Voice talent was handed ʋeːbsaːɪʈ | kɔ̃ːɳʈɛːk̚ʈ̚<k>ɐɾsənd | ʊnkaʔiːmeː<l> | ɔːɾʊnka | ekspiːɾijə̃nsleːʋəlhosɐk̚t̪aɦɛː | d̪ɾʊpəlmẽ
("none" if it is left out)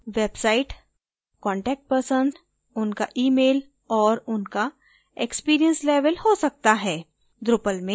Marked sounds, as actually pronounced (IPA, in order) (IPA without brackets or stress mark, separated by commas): p, l